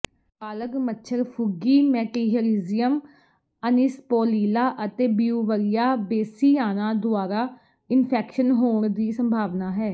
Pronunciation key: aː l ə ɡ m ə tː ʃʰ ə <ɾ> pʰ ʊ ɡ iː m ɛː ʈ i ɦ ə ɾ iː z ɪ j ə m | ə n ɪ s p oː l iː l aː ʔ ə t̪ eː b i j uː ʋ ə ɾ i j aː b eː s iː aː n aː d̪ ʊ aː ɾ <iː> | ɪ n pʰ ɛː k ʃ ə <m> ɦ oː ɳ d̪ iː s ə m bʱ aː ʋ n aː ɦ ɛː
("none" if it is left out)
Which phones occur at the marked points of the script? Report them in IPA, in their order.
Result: ɾ, aː, n

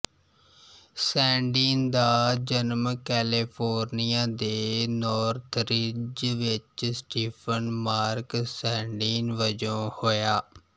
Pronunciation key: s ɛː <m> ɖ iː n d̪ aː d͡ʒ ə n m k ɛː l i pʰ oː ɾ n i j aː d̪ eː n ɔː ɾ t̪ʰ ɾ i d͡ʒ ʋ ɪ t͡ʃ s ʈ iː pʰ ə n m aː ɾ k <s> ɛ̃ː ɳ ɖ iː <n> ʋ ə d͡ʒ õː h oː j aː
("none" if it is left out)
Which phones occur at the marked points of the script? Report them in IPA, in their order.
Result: ɳ, s, n

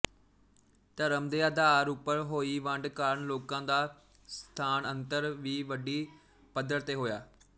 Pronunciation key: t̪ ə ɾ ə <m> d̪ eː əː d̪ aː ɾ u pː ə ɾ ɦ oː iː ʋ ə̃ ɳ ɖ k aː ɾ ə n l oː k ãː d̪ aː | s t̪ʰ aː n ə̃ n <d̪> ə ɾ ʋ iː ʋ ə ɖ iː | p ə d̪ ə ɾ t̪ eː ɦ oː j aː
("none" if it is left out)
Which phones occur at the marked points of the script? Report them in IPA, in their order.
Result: m, t̪

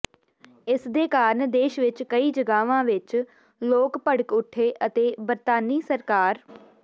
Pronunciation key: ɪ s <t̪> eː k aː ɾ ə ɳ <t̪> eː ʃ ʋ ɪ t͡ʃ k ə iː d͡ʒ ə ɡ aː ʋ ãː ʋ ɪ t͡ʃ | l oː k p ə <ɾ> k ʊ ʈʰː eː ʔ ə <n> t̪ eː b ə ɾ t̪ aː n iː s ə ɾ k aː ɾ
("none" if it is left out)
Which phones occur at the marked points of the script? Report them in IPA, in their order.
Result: d̪, d̪, ɽ, none

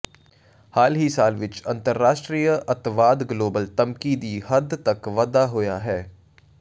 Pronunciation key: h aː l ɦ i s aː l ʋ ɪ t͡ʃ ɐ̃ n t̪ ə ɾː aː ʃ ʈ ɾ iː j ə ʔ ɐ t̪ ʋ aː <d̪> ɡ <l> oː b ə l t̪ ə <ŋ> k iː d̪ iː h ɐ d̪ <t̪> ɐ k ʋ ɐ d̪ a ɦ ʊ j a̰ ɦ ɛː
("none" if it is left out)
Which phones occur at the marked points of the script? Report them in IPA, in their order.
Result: d̪, l, m, t̪

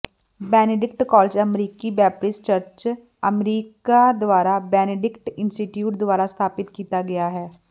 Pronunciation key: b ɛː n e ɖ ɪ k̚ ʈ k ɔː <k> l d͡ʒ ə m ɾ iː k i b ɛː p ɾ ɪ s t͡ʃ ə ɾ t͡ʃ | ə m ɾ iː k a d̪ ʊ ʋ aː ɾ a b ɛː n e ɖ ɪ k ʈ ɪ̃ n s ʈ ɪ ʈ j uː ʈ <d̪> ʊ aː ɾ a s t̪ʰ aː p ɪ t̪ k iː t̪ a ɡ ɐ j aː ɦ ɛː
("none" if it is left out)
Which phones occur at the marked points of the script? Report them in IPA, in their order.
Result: none, d̪

